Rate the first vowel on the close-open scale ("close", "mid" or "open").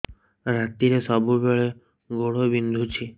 open